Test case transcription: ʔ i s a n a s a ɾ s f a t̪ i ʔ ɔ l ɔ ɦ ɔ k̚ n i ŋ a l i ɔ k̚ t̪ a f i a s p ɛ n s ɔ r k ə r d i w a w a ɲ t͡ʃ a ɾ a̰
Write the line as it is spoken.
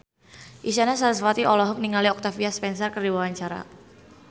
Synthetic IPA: ʔ i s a n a s a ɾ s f a t̪ i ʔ ɔ l ɔ ɦ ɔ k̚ n i ŋ a l i ɔ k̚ t̪ a f i a s p ɛ n s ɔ r k ə r d i w a w a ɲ t͡ʃ a ɾ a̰

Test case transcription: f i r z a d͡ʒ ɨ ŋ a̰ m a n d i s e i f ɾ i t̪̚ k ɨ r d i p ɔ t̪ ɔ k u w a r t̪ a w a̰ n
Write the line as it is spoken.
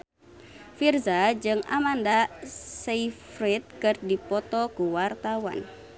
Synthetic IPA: f i r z a d͡ʒ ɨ ŋ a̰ m a n d a s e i f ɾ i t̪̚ k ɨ r d i p ɔ t̪ ɔ k u w a r t̪ a w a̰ n

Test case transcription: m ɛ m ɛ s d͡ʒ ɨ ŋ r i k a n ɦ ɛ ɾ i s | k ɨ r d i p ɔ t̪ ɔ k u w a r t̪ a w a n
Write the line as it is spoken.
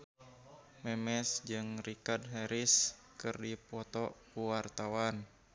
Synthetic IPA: m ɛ m ɛ s d͡ʒ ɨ ŋ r i k a d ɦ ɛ ɾ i s | k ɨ r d i p ɔ t̪ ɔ k u w a r t̪ a w a n

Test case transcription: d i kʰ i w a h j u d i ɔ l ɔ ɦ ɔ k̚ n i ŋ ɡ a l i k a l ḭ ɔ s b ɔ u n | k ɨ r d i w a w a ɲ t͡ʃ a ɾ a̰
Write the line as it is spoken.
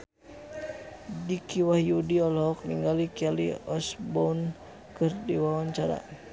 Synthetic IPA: d i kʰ i w a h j u d i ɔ l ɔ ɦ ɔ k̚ n i ŋ ɡ a l i k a l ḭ ɔ s b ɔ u n | k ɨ r d i w a w a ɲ t͡ʃ a ɾ a̰

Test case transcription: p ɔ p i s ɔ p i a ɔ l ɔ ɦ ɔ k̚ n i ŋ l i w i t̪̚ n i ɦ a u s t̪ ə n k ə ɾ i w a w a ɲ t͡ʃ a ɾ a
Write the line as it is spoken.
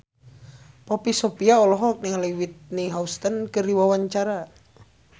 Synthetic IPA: p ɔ p i s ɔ p i a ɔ l ɔ ɦ ɔ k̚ n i ŋ l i w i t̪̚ n i ɦ a u s t̪ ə n k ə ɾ i w a w a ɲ t͡ʃ a ɾ a

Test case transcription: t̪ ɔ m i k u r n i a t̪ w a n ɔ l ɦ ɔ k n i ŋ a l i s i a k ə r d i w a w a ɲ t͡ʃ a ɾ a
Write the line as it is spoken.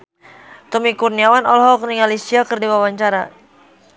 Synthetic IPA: t̪ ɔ m i k u r n i a w a n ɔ l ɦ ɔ k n i ŋ a l i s i a k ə r d i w a w a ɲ t͡ʃ a ɾ a

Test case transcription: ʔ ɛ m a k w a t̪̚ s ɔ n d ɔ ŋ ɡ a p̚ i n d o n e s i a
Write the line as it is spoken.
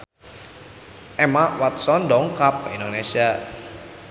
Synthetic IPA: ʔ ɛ m a w a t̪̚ s ɔ n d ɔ ŋ k a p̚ i n d o n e s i a

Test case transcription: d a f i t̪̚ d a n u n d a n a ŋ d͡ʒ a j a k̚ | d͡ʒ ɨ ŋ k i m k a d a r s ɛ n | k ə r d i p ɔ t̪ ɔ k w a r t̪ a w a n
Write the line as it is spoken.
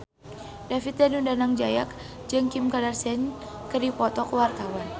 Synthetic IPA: d a f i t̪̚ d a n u n d a n a ŋ d͡ʒ a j a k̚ | d͡ʒ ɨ ŋ k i m k a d a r s ɛ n | k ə r d i p ɔ t̪ ɔ k w a r t̪ a w a n

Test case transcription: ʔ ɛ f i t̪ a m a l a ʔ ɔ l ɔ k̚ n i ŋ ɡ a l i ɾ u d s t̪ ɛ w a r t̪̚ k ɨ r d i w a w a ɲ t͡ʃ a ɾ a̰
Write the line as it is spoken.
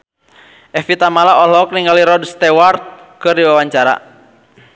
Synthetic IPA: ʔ ɛ f i t̪ a m a l a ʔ ɔ l ɔ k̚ n i ŋ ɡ a l i ɾ ɔ d s t̪ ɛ w a r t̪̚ k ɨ r d i w a w a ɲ t͡ʃ a ɾ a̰

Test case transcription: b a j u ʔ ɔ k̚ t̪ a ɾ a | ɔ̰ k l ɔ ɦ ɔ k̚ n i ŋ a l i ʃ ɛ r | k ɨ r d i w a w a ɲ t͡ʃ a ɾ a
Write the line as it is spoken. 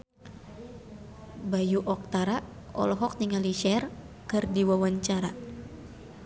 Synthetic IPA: b a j u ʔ ɔ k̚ t̪ a ɾ a | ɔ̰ l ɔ ɦ ɔ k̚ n i ŋ a l i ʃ ɛ r | k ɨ r d i w a w a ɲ t͡ʃ a ɾ a

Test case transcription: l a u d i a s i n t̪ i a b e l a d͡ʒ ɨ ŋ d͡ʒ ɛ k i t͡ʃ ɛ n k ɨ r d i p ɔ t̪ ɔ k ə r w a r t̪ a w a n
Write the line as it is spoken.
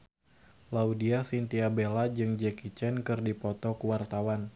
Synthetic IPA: l a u d i a s i n t̪ i a b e l a d͡ʒ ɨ ŋ d͡ʒ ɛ k i t͡ʃ ɛ n k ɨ r d i p ɔ t̪ ɔ k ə w a r t̪ a w a n

